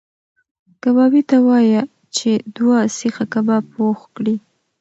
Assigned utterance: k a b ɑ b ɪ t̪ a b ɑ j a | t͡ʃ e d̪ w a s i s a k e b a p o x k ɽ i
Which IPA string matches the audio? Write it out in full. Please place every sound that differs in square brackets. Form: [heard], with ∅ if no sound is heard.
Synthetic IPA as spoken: k a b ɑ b [i] t̪ a [w] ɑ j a | t͡ʃ e d̪ w a s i [x] a k [a] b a p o x k ɽ i